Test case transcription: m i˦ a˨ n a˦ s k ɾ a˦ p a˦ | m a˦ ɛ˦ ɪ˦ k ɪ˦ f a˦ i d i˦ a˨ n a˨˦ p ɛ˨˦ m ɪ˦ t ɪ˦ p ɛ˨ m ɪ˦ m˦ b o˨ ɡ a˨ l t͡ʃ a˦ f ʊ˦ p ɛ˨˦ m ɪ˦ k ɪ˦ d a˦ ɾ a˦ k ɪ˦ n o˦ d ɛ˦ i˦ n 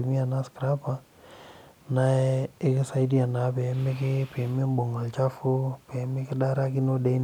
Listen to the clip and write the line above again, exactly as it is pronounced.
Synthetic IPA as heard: m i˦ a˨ n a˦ s k ɾ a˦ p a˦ | n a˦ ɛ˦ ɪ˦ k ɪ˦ s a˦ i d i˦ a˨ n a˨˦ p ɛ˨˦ m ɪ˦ k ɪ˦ p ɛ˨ m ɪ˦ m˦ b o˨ ŋ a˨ l t͡ʃ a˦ f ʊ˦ p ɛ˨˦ m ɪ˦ k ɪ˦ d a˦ ɾ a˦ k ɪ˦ n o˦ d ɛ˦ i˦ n